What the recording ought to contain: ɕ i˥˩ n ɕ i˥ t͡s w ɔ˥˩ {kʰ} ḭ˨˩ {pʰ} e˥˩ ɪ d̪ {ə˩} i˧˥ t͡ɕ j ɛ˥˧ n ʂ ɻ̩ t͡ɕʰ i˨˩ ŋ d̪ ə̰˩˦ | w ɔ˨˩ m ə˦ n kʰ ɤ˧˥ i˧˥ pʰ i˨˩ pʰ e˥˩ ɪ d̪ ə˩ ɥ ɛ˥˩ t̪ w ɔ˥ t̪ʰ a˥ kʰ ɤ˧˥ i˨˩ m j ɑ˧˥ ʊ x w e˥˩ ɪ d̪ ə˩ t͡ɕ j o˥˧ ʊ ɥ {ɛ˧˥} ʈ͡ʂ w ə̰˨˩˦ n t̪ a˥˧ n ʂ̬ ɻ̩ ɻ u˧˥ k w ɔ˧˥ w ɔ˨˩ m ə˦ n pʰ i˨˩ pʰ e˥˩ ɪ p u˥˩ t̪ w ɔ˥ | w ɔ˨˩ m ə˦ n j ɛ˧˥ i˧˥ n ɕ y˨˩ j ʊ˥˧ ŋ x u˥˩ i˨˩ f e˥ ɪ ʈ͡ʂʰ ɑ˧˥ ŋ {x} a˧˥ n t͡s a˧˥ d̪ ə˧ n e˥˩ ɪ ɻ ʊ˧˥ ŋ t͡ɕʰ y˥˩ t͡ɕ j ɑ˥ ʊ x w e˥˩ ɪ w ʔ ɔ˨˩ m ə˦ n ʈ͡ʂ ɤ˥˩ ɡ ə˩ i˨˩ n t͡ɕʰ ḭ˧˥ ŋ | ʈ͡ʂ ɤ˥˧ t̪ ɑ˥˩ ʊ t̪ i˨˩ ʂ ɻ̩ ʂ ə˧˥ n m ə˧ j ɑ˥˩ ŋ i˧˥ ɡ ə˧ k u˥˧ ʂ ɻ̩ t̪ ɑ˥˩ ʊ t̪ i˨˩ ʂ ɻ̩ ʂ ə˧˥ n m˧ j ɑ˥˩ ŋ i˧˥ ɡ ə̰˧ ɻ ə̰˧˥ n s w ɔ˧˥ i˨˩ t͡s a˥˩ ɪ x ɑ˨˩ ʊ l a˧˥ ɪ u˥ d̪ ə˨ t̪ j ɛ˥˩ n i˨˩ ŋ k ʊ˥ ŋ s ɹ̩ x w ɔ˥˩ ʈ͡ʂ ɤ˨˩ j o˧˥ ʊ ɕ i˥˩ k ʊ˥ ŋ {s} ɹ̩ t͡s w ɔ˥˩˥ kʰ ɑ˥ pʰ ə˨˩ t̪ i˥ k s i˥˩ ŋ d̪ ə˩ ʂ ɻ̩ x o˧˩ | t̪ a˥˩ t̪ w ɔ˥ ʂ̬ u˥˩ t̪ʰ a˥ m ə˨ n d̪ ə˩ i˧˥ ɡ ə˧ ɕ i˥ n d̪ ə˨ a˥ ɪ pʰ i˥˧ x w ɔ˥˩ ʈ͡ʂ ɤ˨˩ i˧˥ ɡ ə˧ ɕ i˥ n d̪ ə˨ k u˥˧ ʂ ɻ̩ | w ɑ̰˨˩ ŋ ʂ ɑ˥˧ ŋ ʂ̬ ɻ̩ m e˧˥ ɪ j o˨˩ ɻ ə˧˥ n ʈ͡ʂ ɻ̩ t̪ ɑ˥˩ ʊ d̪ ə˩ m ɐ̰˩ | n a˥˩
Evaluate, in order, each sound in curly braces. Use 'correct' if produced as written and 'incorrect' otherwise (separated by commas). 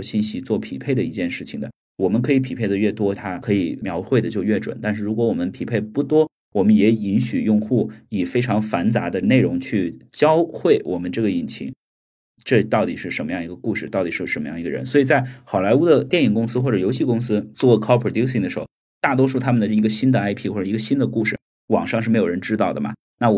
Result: incorrect, correct, correct, incorrect, incorrect, correct